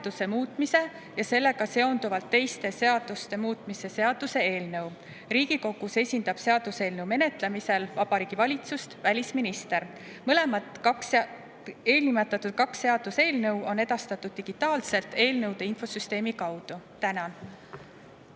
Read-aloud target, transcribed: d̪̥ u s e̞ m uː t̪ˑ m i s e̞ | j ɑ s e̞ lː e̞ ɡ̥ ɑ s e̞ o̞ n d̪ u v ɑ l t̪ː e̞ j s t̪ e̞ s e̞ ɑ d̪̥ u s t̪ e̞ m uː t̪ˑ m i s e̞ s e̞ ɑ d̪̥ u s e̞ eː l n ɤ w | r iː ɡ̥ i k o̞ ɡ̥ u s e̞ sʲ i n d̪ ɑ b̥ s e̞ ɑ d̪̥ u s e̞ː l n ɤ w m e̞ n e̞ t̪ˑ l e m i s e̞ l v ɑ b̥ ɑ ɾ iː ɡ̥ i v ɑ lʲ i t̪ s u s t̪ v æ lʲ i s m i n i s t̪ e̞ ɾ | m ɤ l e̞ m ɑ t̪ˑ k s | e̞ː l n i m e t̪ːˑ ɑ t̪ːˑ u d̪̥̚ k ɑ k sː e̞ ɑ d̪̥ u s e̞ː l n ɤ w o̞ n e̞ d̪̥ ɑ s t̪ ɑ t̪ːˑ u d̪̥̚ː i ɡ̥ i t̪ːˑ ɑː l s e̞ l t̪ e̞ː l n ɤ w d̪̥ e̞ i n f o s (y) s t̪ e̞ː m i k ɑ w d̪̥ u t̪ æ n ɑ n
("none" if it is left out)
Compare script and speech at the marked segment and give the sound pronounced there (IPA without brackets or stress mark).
y